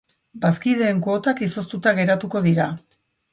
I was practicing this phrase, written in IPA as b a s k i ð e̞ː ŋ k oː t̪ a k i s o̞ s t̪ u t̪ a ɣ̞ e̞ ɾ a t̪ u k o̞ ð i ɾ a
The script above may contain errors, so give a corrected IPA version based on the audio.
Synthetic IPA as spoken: b a s k i ð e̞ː ŋ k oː t̪ a k i s o̞ s t̪ u t̪ a ɣ̞ e̞ ɾ a t̪ u k o̞ ð i ɾ a